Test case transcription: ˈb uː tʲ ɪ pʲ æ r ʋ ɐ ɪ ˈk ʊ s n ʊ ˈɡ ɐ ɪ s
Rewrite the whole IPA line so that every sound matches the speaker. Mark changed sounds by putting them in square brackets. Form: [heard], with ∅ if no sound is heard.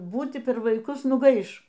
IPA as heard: ˈb uː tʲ ɪ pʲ [ɛ] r ʋ ɐ ɪ ˈk ʊ s n ʊ ˈɡ ɐ ɪ [ʃ]

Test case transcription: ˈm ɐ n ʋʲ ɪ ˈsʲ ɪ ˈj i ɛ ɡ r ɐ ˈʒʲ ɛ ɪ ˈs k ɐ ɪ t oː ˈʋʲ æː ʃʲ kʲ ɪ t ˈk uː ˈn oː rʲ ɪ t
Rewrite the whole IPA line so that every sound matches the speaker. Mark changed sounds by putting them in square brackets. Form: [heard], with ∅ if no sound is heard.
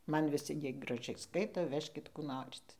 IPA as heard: ˈm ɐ n ʋʲ ɪ ˈsʲ ɪ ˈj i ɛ ɡ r ɐ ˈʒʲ ɛ ɪ ˈs k ɐ ɪ t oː ˈʋʲ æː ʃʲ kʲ ɪ t ˈk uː ˈn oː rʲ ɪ t

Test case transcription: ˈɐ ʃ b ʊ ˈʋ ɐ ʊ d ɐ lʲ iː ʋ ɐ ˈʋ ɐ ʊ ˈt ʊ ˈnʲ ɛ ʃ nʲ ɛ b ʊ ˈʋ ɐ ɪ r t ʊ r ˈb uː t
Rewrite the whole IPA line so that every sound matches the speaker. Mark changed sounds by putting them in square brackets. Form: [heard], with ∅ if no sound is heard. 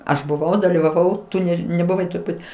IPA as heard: ˈɐ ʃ b ʊ ˈʋ ɐ ʊ d ɐ lʲ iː ʋ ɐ ˈʋ ɐ ʊ ˈt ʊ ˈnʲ ɛ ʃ nʲ ɛ b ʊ ˈʋ ɐ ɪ [∅] t ʊ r ˈb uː t

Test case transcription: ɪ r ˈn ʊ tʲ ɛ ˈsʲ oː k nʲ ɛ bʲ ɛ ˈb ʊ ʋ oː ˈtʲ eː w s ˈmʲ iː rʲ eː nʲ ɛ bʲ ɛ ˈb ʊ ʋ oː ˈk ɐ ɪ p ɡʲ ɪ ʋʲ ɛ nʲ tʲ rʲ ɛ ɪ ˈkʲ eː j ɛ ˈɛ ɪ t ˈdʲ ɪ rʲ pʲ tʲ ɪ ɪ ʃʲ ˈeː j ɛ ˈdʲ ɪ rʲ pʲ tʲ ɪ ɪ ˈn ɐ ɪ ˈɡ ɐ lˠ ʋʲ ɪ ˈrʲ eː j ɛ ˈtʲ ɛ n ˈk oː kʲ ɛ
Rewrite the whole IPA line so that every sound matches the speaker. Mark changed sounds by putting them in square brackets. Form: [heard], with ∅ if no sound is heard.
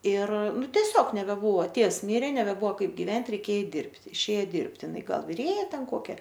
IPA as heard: ɪ r ˈn ʊ tʲ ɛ ˈsʲ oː k nʲ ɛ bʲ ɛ ˈb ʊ ʋ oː ˈtʲ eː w s ˈmʲ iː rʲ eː nʲ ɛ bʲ ɛ ˈb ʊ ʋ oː ˈk ɐ ɪ p ɡʲ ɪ ʋʲ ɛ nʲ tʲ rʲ ɛ ɪ ˈkʲ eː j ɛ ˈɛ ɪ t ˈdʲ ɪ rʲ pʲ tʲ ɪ ɪ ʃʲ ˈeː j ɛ ˈdʲ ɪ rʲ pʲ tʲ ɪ ɪ ˈn ɐ ɪ ˈɡ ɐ lˠ ʋʲ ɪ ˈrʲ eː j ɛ ˈtʲ ɛ n ˈk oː kʲ ɛ

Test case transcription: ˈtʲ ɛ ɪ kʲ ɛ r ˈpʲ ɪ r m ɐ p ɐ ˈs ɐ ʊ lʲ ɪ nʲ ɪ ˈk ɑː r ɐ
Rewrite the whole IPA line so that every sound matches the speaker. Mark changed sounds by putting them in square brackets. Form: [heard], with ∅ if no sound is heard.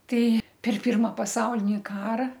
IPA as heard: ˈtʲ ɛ ɪ [pʲ] ɛ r ˈpʲ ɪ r m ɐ p ɐ ˈs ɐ ʊ lʲ ɪ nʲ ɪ ˈk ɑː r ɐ

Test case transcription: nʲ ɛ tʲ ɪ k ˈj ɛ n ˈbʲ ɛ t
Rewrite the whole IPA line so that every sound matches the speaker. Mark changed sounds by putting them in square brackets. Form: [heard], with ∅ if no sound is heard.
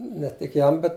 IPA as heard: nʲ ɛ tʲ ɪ k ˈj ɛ [m] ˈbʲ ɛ t

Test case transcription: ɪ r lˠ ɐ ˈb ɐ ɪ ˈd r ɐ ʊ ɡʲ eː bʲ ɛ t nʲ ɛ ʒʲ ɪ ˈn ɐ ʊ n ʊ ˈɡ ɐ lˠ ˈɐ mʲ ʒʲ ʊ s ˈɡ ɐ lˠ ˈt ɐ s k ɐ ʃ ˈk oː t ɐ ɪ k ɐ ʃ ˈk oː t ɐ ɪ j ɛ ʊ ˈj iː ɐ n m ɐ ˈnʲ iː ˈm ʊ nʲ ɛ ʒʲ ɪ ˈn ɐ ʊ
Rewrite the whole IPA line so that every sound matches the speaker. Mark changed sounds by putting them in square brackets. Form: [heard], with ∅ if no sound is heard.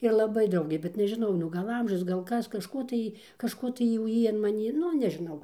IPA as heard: ɪ r lˠ ɐ ˈb ɐ ɪ ˈd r ɐ ʊ ɡʲ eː bʲ ɛ t nʲ ɛ ʒʲ ɪ ˈn ɐ ʊ n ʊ ˈɡ ɐ lˠ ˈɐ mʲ ʒʲ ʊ s ˈɡ ɐ lˠ [ˈk] ɐ s k ɐ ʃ ˈk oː t ɐ ɪ k ɐ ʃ ˈk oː t ɐ ɪ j ɛ ʊ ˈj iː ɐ n m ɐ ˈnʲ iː [ˈn] ʊ nʲ ɛ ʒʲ ɪ ˈn ɐ ʊ

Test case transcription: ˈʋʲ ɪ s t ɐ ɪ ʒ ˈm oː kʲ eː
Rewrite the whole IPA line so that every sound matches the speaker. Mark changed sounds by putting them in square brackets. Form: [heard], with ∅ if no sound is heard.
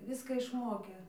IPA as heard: ˈʋʲ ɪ s [k] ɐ ɪ [ʃ] ˈm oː kʲ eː

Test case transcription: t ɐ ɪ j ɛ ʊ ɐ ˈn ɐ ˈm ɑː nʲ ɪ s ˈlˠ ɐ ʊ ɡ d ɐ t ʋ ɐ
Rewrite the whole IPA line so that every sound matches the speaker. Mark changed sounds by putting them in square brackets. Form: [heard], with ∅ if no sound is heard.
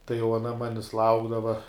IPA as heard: t ɐ ɪ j ɛ ʊ ɐ ˈn ɐ ˈm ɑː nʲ ɪ s ˈlˠ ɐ ʊ ɡ d ɐ [∅] ʋ ɐ

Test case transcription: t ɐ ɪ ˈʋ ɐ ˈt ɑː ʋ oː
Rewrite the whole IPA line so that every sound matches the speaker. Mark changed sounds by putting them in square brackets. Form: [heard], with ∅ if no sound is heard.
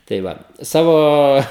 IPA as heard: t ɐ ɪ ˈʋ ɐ [ˈs] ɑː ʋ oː

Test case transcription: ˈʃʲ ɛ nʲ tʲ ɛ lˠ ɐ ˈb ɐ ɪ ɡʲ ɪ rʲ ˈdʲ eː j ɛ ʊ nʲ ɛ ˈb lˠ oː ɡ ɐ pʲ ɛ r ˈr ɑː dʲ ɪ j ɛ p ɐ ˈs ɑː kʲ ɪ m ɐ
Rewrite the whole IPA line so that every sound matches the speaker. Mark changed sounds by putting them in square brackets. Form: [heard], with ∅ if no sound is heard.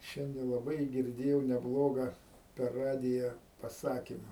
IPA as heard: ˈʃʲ ɛ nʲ [dʲ] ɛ lˠ ɐ ˈb ɐ ɪ ɡʲ ɪ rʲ ˈdʲ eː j ɛ ʊ nʲ ɛ ˈb lˠ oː ɡ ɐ pʲ ɛ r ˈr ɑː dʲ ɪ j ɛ p ɐ ˈs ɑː kʲ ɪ m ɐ

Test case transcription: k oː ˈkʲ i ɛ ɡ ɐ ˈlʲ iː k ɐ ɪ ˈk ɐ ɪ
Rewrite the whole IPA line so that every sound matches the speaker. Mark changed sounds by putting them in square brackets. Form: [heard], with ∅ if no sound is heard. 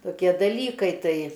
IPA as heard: [t] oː ˈkʲ i ɛ [d] ɐ ˈlʲ iː k ɐ ɪ [ˈt] ɐ ɪ

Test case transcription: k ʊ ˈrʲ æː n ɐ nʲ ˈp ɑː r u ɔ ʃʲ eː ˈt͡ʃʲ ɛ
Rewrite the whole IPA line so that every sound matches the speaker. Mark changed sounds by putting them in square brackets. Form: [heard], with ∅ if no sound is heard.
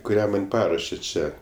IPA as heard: k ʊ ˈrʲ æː [m] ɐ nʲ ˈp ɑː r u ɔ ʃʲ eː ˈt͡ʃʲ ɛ

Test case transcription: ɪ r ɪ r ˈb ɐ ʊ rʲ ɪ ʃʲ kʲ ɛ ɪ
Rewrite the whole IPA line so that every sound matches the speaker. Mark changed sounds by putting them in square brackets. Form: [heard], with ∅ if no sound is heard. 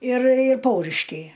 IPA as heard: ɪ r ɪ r [ˈp] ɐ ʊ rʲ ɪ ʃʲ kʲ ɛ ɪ

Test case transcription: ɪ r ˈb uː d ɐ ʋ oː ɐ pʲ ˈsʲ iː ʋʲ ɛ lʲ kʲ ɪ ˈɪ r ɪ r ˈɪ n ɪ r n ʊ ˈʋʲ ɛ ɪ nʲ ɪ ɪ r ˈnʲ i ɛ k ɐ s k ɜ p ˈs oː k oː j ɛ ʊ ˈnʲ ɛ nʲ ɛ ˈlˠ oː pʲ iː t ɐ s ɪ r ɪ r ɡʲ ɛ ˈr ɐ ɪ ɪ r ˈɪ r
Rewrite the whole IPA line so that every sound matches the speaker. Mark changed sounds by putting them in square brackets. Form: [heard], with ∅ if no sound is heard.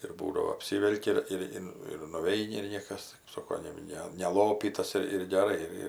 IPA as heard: ɪ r ˈb uː d ɐ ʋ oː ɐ pʲ ˈsʲ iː ʋʲ ɛ lʲ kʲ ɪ ˈɪ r ɪ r ˈɪ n ɪ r n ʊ ˈʋʲ ɛ ɪ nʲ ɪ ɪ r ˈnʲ i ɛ k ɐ s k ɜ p ˈs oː k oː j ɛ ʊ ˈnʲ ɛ nʲ ɛ ˈlˠ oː pʲ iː t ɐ s ɪ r ɪ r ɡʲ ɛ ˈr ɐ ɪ ɪ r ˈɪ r

